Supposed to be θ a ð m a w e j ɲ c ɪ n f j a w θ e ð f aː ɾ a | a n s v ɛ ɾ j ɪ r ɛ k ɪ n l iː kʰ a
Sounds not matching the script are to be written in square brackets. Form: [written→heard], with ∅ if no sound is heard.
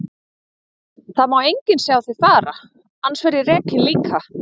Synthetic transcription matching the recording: θ a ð m a w e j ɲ c ɪ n [f→s] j a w θ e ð f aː ɾ a | a n s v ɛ ɾ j ɪ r [ɛ→ɛː] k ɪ n l iː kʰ a